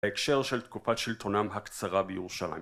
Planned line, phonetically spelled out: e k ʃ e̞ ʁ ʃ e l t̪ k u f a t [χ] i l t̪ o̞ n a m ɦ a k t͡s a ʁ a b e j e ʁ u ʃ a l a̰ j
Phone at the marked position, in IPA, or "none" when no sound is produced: ʃ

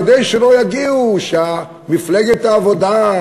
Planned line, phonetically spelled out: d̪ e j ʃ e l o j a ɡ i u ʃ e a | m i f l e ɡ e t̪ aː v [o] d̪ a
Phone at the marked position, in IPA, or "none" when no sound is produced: o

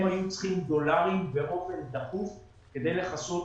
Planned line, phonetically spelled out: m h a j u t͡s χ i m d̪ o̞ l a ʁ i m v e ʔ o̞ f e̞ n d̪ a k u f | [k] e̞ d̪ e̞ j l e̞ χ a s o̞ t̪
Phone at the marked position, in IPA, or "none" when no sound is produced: k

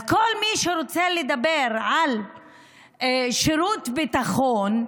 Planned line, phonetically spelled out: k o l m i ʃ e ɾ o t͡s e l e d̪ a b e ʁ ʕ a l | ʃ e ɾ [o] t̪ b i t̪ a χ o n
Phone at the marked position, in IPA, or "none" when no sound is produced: u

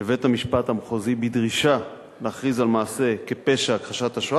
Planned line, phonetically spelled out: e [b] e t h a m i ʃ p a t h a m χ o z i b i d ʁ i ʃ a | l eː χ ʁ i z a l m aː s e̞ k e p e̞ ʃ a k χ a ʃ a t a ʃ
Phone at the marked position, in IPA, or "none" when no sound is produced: v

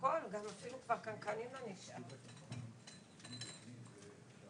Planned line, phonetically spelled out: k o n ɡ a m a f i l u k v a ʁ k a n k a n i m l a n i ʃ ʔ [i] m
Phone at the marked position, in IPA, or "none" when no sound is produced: a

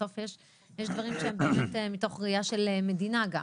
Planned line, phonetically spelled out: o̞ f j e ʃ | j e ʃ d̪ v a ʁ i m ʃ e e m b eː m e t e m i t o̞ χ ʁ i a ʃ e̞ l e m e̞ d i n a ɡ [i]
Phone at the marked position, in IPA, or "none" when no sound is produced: a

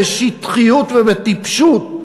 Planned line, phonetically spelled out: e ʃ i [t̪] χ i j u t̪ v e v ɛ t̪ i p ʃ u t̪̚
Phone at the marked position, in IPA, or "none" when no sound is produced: t̪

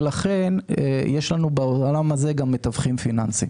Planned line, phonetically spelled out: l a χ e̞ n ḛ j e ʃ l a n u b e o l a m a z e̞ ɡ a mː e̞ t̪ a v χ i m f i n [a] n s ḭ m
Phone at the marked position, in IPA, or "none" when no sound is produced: a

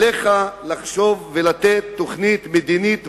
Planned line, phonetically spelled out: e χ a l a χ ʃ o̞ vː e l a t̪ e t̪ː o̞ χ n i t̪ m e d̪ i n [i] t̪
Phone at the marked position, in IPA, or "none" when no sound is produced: i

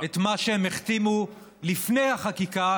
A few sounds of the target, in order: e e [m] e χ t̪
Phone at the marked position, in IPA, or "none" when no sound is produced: m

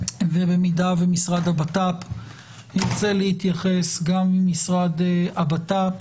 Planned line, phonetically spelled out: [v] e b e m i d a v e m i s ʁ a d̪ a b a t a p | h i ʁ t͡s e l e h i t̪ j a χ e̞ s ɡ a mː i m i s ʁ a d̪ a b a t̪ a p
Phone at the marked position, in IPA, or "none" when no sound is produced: v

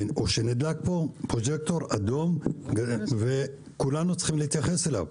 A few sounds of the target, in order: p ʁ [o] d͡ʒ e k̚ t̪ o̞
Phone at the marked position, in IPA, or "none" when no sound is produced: o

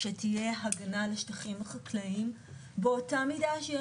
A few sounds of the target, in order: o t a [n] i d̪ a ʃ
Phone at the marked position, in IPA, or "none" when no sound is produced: m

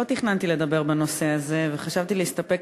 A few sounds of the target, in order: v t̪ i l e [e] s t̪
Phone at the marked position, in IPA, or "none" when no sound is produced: i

